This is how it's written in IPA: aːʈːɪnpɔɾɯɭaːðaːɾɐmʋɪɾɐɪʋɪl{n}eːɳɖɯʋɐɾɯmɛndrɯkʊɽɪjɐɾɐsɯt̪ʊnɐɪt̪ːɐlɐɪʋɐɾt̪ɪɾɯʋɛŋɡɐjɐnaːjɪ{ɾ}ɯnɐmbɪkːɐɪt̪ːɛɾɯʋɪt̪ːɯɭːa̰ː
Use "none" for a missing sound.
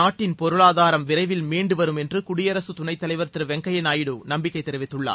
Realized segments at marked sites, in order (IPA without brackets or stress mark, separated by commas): m, ɽ